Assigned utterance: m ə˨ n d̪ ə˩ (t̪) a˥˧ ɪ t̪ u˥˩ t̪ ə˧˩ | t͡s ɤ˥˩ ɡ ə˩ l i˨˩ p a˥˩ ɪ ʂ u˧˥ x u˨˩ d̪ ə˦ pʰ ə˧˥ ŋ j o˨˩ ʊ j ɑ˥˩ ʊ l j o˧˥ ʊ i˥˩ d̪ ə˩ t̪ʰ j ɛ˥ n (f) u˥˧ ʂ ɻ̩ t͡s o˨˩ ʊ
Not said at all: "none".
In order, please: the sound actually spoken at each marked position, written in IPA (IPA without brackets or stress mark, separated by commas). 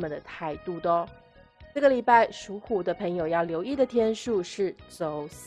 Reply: t̪ʰ, ʂ